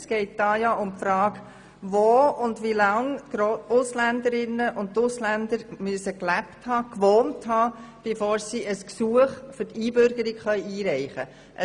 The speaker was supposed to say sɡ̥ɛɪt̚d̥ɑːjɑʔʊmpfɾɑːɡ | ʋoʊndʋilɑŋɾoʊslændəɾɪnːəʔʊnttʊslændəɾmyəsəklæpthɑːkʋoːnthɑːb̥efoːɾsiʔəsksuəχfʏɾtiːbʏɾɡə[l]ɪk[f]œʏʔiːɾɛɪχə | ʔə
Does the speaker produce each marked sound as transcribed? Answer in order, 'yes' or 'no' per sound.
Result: no, no

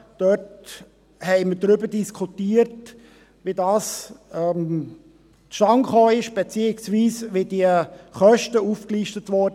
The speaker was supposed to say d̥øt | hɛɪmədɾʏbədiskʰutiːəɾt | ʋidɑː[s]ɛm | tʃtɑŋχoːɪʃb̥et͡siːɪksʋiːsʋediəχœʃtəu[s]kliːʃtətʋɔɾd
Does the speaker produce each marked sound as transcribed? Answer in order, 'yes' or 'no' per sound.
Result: yes, no

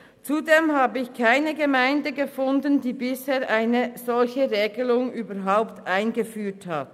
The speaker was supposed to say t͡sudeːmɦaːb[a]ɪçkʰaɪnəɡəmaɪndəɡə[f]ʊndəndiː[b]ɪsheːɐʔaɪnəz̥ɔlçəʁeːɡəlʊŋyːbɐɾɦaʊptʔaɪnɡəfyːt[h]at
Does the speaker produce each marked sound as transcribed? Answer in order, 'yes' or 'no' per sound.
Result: no, yes, yes, yes

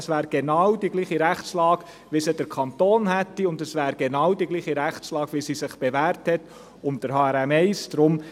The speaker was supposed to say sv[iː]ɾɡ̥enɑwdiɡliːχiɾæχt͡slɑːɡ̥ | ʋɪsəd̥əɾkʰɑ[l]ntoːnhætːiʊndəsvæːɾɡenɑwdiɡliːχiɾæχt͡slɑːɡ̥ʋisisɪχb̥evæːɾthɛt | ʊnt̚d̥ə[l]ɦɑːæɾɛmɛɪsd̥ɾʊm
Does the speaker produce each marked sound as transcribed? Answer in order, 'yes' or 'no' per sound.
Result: no, no, no

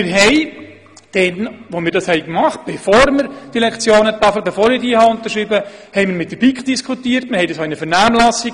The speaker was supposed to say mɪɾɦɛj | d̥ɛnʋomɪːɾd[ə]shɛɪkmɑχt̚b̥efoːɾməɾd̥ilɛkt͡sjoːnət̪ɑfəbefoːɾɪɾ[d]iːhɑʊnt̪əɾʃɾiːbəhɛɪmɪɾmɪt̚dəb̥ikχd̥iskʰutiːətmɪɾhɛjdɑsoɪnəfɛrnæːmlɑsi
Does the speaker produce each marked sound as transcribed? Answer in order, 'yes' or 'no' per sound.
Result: no, yes

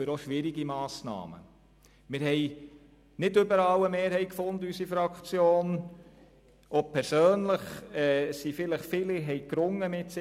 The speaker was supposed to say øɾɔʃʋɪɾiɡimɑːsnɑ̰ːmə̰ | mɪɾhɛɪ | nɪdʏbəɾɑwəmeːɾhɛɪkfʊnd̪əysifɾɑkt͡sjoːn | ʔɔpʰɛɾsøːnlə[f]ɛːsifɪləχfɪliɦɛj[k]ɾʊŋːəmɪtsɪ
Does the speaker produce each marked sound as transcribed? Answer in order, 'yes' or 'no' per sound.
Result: no, yes

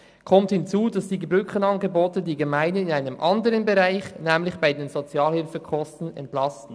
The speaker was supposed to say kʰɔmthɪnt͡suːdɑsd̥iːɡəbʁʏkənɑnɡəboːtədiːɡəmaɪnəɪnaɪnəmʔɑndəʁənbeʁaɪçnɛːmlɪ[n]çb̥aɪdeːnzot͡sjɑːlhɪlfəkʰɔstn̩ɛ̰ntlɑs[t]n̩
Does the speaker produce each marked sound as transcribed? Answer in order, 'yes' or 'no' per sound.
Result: no, yes

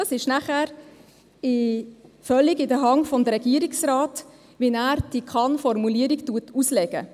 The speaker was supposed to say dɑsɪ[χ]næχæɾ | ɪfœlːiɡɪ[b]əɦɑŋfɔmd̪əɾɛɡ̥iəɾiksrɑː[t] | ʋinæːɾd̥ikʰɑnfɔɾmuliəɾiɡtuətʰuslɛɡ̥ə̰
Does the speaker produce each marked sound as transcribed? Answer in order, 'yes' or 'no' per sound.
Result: no, no, yes

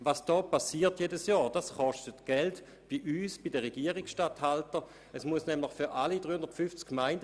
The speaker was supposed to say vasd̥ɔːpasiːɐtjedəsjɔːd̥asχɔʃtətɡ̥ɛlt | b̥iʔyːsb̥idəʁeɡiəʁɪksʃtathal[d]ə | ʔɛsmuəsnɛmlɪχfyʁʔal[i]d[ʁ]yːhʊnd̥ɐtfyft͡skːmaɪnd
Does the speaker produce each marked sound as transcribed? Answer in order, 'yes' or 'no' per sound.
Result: no, yes, yes

